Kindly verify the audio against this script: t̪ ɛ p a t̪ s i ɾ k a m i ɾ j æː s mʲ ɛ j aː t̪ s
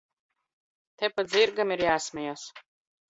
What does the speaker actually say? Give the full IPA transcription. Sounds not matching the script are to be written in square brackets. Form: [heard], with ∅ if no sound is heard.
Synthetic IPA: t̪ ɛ p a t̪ [z] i ɾ [ɡ] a m i ɾ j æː s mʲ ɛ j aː [∅] s